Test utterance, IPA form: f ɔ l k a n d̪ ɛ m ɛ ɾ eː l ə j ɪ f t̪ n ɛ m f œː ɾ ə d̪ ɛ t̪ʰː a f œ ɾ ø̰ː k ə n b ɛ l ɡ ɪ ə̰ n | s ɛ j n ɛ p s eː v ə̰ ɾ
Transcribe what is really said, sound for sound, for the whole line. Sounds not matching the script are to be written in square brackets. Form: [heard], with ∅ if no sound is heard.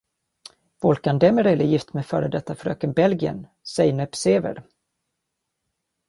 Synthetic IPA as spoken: [v] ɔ l k a n d̪ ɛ m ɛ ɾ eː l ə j ɪ f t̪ [m] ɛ [∅] f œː ɾ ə d̪ ɛ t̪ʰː a f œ ɾ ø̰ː k ə n b ɛ l ɡ ɪ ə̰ n | s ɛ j n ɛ p s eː v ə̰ ɾ

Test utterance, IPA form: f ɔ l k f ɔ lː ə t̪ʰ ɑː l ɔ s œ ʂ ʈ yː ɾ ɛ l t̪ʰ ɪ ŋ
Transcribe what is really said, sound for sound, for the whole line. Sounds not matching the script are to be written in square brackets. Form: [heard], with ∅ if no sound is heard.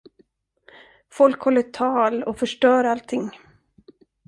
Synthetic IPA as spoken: f ɔ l k [h] ɔ lː ə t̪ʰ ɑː l ɔ [f] œ ʂ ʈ [œː] ɾ [a] l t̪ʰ ɪ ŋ

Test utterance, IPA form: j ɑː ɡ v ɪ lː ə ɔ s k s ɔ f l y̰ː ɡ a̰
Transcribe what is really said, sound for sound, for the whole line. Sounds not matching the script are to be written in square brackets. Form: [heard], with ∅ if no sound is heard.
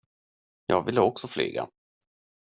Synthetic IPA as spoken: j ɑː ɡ v ɪ lː ə ɔ [∅] k s ɔ f l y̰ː ɡ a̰

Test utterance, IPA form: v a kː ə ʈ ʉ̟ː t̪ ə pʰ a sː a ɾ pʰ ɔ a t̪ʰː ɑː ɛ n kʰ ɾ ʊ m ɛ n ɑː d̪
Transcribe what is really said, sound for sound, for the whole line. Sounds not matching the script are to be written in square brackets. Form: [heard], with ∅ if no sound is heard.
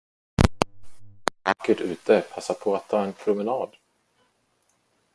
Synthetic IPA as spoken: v a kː ə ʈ ʉ̟ː t̪ ə pʰ a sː a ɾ pʰ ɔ a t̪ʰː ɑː ɛ n [pʰ] ɾ ʊ m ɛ n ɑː d̪

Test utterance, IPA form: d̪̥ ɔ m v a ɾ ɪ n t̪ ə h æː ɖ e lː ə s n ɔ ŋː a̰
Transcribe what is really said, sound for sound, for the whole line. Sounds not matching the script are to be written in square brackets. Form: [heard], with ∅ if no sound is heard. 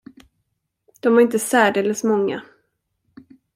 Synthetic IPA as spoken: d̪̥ ɔ m v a ɾ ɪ n t̪ ə [s] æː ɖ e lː ə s [m] ɔ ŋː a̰

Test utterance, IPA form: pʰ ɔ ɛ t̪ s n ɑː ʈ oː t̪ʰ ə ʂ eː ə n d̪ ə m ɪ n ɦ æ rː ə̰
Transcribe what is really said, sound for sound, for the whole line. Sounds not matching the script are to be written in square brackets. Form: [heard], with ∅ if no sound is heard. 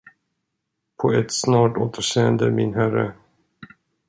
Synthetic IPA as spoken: pʰ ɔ ɛ t̪ s n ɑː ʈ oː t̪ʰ ə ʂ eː ə n d̪ ə m ɪ n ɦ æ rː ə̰

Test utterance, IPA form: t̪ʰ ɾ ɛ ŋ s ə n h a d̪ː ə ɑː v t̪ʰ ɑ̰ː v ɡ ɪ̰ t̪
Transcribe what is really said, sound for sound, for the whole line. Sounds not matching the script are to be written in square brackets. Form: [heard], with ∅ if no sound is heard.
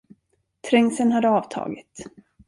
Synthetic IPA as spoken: t̪ʰ ɾ ɛ ŋ s ə n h a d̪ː ə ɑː v t̪ʰ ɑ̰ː [∅] ɡ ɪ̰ t̪

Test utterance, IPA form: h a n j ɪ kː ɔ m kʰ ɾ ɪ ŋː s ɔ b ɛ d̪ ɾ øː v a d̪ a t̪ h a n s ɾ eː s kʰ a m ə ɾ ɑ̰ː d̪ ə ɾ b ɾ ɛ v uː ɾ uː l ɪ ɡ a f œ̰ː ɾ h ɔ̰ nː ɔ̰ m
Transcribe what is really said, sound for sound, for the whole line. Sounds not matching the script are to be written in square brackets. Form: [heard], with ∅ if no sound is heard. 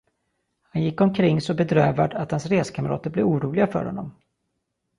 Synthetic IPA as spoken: h a n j ɪ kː ɔ m kʰ ɾ ɪ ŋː s ɔ b ɛ d̪ ɾ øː v a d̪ a t̪ h a n s ɾ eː s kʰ a m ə ɾ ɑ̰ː [t̪] ə ɾ b [l] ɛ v uː ɾ uː l ɪ ɡ a f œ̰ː ɾ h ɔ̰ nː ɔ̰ m

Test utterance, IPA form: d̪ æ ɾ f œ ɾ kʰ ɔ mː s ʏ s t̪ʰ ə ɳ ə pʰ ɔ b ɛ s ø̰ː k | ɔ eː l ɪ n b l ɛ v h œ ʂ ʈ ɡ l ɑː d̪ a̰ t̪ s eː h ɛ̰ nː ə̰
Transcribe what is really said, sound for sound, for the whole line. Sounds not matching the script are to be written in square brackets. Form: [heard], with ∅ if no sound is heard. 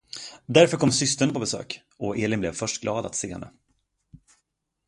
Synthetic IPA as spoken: d̪ æ ɾ f œ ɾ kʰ ɔ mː s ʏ s [t̪] ə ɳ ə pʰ ɔ b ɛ s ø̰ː k | ɔ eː l ɪ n b l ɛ v [f] œ ʂ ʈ ɡ l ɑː d̪ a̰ t̪ s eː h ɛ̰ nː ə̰

